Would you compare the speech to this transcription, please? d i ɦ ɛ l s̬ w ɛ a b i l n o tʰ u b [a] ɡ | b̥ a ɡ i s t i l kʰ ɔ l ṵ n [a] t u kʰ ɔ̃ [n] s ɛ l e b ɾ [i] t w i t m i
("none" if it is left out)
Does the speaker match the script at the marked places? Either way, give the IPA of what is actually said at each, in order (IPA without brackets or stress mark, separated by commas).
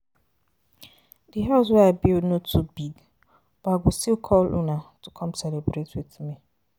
i, a, m, e